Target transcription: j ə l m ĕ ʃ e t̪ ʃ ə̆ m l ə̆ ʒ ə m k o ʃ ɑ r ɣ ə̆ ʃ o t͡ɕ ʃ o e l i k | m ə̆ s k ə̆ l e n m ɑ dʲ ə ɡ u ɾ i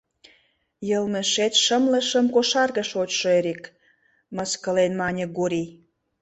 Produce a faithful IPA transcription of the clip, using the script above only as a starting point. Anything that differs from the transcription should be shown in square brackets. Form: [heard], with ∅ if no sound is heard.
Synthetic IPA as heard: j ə l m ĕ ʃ e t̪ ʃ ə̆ m l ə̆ [ʃ] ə m k o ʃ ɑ r ɣ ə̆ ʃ o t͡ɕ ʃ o e [ɾ] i k | m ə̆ s k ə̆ l e n m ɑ [nʲ] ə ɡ u ɾ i